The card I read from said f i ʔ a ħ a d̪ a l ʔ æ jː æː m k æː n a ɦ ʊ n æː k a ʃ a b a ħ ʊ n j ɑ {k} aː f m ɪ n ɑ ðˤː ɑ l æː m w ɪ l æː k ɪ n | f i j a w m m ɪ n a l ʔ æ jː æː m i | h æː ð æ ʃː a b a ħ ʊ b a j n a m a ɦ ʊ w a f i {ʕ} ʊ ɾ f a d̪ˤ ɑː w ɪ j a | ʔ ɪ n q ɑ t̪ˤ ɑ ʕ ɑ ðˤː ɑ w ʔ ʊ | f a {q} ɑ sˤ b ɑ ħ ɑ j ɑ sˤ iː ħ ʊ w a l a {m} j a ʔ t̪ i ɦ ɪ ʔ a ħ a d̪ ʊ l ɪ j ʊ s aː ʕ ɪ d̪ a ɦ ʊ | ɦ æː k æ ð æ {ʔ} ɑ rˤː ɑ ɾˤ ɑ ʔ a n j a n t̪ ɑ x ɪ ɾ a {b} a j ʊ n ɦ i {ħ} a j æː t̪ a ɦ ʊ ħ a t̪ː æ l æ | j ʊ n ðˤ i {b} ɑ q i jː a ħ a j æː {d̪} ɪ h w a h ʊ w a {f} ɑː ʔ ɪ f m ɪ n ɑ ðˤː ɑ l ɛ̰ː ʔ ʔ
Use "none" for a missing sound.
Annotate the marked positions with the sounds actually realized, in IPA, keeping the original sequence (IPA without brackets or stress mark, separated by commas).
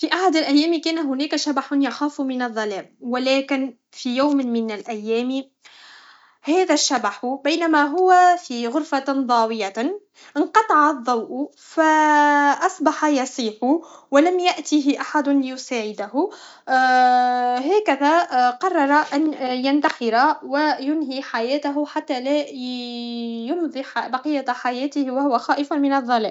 x, ɣ, ʔ, m, q, w, ħ, b, t̪, x